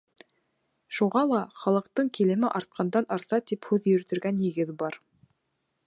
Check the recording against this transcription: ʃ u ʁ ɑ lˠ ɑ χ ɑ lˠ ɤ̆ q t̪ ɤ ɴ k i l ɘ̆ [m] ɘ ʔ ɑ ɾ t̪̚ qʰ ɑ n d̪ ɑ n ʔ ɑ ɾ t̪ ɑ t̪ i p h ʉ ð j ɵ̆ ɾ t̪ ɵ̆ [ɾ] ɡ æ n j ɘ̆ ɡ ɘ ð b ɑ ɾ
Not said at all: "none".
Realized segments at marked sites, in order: m, ɾ

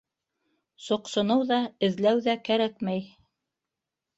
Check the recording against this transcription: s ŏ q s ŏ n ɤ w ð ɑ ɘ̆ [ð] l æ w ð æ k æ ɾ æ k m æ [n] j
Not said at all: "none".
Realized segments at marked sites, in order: ð, none

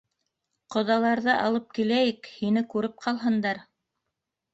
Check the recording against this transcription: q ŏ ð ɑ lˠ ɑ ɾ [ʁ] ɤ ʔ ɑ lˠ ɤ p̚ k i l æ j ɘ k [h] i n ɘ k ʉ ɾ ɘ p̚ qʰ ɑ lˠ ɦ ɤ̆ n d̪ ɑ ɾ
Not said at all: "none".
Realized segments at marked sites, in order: ð, h

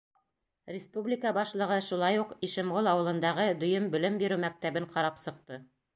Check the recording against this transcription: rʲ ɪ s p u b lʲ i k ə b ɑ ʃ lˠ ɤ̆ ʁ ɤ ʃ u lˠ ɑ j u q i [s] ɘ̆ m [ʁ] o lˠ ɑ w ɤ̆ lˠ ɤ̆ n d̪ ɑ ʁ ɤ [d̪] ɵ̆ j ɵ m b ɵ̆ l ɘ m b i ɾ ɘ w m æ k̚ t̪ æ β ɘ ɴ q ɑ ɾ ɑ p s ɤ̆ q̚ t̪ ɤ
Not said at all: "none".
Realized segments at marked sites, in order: ʃ, ʁ, d̪

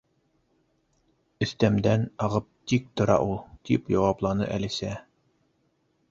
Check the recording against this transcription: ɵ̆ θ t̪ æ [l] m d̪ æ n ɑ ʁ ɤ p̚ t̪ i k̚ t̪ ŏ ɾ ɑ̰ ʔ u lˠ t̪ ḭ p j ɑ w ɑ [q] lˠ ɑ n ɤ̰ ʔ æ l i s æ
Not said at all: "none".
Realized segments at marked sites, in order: none, p

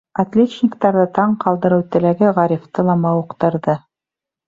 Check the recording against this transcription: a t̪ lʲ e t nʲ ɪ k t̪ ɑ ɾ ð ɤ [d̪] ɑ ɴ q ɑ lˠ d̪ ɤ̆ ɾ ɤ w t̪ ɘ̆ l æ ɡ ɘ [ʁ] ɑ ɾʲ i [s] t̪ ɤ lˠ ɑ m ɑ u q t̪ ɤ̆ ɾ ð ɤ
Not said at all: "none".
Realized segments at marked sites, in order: t̪, ʁ, f

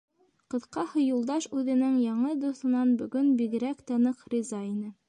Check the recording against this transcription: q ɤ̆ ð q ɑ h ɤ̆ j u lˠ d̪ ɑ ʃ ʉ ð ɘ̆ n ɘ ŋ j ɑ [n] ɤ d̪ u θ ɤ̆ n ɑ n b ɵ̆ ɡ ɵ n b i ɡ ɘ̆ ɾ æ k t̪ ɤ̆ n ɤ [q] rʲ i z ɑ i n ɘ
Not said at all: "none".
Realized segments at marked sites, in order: ɴ, q

